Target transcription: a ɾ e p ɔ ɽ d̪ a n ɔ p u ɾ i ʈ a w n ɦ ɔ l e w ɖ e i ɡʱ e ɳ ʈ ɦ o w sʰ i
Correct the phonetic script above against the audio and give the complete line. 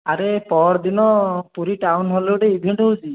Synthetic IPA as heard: a ɾ e p ɔ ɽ d̪ i n ɔ p u ɾ i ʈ a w n ɦ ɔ l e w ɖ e i bʱ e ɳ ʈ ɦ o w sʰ i